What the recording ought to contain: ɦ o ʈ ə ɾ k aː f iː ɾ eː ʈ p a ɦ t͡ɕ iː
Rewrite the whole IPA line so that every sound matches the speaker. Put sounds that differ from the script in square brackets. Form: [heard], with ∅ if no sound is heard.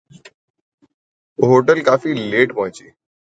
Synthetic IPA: ɦ o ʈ ə [l] k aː f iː [l] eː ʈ p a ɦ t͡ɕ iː

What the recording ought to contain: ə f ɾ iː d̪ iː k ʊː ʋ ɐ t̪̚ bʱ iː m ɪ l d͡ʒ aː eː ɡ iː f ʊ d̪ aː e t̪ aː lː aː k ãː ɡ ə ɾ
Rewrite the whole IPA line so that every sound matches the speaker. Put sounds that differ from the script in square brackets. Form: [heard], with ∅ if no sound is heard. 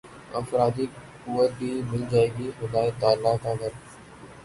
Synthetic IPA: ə f ɾ [aː] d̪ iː k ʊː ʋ [ə] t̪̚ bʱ iː m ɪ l d͡ʒ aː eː ɡ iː [x] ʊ d̪ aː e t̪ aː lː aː k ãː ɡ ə ɾ

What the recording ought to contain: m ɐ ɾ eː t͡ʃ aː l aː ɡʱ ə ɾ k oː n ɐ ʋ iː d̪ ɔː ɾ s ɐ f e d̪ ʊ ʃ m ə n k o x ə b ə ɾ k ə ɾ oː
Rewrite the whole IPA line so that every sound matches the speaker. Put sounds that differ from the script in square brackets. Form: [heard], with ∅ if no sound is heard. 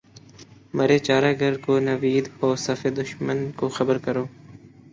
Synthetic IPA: m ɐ ɾ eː t͡ʃ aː [ɾ] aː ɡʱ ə ɾ k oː n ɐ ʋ iː d̪ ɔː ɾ s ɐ f e d̪ ʊ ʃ m ə n k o x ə b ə ɾ k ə ɾ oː

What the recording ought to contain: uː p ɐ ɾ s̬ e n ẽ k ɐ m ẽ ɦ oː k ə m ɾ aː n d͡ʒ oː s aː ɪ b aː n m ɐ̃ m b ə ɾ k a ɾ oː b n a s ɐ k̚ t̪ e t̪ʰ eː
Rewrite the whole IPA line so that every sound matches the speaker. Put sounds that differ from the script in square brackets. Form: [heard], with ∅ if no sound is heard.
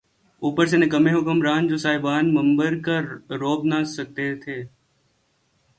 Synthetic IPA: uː p [ə] ɾ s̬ e n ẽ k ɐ m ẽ ɦ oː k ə m ɾ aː n d͡ʒ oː s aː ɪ b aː n m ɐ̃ m b ə ɾ k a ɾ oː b n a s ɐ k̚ t̪ e t̪ʰ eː

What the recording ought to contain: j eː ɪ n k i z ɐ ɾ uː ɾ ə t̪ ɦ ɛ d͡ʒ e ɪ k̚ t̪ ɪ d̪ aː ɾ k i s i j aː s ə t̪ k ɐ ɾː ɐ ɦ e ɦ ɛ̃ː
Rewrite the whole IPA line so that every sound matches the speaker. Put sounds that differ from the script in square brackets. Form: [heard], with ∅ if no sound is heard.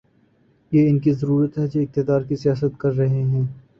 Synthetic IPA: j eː ɪ n k i z ɐ ɾ uː ɾ ə t̪ ɦ ɛ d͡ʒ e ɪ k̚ t̪ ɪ d̪ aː ɾ k i s i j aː s ə t̪ k ɐ ɾː ɐ ɦ e ɦ ɛ̃ː

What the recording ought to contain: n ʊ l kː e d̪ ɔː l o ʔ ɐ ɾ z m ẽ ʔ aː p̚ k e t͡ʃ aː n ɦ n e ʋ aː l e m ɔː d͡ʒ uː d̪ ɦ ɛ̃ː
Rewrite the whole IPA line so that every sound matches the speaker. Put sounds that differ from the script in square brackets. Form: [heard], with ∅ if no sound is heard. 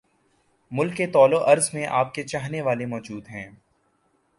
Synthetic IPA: [m] ʊ l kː e [t̪] ɔː l o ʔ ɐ ɾ z m ẽ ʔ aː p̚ k e t͡ʃ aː [∅] ɦ n e ʋ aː l e m ɔː d͡ʒ uː d̪ ɦ ɛ̃ː

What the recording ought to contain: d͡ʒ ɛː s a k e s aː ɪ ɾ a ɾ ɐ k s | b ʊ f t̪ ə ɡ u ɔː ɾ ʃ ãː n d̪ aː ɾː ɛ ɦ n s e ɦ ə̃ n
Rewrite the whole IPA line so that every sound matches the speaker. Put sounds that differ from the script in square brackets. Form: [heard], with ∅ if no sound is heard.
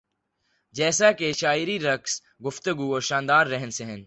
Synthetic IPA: d͡ʒ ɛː s a k e [ʃ] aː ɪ ɾ [i] ɾ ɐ k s | [ɡ] ʊ f t̪ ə ɡ u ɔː ɾ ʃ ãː n d̪ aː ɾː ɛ ɦ n s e ɦ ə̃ n

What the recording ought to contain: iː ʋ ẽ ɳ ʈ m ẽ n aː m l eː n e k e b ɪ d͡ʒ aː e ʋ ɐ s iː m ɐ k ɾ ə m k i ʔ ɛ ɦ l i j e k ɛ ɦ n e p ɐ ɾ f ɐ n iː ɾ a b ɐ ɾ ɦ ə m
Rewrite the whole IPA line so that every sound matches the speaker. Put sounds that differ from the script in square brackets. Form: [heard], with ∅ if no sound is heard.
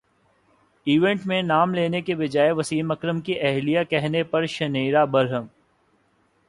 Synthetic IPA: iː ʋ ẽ ɳ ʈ m ẽ n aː m l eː n e k e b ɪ d͡ʒ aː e ʋ ɐ s iː m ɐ k ɾ ə m k i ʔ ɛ ɦ l i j [a] k ɛ ɦ n e p ɐ ɾ [ʃ] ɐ n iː ɾ a b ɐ ɾ ɦ ə m

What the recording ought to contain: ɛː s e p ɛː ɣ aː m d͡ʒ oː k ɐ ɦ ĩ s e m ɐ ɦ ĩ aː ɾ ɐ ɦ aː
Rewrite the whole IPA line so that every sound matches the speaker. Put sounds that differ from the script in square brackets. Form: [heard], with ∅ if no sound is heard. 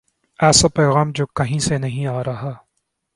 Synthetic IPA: ɛː s [a] p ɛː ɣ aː m d͡ʒ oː k ɐ ɦ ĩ s e [n] ɐ ɦ ĩ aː ɾ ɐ ɦ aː

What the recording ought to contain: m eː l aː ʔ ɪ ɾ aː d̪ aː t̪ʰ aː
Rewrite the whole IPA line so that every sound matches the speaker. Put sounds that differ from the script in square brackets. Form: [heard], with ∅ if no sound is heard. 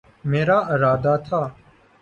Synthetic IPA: m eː [ɾ] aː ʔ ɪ ɾ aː d̪ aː t̪ʰ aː

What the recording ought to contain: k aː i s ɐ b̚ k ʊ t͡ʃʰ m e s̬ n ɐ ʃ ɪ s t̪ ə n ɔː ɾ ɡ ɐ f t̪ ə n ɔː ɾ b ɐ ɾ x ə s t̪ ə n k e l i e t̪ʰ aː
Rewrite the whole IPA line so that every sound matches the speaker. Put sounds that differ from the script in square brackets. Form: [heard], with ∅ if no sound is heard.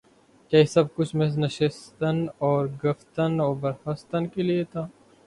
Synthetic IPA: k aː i s ɐ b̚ k ʊ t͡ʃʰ m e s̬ n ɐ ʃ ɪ s t̪ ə n ɔː ɾ ɡ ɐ f t̪ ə n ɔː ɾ b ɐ ɾ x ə s t̪ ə n k e l i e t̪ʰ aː

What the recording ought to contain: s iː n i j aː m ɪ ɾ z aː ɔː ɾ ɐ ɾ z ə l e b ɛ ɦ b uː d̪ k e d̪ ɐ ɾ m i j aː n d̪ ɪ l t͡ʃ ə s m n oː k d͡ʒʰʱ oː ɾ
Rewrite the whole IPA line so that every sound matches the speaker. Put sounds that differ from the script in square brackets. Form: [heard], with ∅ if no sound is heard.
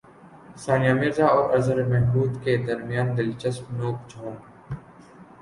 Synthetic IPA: s [aː] n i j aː m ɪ ɾ z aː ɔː ɾ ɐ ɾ z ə [ɾ] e [m] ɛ ɦ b uː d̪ k e d̪ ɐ ɾ m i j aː n d̪ ɪ l t͡ʃ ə s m n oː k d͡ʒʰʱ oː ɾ

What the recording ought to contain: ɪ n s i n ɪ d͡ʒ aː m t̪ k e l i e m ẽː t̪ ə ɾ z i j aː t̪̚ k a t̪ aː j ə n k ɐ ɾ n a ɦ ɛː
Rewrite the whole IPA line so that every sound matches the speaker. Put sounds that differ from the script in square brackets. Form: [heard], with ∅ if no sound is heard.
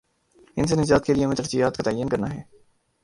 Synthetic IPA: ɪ n s [e] n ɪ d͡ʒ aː [∅] t̪ k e l i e m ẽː t̪ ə ɾ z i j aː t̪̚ k a t̪ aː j ə n k ɐ ɾ n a ɦ ɛː

